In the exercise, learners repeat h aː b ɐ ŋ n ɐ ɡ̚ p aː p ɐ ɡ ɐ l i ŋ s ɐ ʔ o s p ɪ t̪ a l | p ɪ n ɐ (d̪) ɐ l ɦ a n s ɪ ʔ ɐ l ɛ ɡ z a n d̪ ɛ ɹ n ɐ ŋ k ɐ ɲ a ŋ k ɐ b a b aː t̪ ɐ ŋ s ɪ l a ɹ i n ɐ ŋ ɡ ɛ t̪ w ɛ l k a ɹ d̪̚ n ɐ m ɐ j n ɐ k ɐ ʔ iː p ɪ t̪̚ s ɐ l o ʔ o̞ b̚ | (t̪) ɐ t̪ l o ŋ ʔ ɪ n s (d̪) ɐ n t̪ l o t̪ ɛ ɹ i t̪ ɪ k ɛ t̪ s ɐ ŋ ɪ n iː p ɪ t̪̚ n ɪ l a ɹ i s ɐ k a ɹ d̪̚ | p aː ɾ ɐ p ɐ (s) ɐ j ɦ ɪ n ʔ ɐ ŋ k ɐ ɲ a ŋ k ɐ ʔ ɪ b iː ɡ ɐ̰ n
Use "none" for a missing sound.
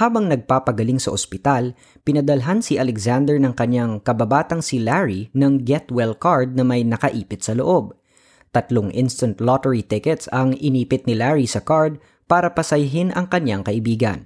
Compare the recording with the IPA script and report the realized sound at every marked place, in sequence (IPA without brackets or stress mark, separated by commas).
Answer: d̪, t̪, t̪, s